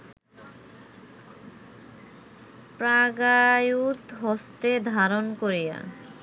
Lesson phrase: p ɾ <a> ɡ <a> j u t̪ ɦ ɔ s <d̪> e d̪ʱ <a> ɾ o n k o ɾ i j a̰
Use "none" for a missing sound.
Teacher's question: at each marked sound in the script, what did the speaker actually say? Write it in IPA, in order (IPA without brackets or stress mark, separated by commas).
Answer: a, a, t̪, a